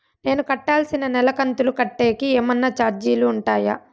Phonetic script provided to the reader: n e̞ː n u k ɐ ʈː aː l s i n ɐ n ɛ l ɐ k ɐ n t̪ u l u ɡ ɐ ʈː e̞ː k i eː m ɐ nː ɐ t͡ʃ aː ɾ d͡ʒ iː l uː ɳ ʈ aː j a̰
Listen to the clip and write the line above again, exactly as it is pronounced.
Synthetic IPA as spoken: n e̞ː n u k ɐ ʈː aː l s i n ɐ n ɛ l ɐ k ɐ n t̪ u l u k ɐ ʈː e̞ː k i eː m ɐ nː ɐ t͡ʃ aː ɾ d͡ʒ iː l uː ɳ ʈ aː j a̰